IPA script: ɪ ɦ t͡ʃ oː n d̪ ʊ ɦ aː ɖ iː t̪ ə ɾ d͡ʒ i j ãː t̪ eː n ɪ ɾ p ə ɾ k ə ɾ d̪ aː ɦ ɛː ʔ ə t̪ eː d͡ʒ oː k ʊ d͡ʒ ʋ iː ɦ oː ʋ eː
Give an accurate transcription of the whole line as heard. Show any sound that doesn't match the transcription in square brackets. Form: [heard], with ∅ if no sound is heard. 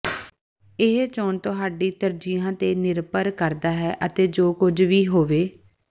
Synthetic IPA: ɪ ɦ t͡ʃ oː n [t̪] ʊ ɦ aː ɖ iː t̪ ə ɾ d͡ʒ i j ãː t̪ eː n ɪ ɾ p ə ɾ k ə ɾ d̪ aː ɦ ɛː ʔ ə t̪ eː d͡ʒ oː k ʊ d͡ʒ ʋ iː ɦ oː ʋ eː